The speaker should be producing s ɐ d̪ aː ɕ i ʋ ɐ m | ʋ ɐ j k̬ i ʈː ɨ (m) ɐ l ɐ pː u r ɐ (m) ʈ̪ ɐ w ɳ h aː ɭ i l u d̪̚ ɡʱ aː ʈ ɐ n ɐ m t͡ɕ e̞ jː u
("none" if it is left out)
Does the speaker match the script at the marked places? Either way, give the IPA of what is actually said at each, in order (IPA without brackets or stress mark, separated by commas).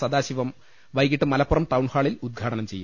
m, m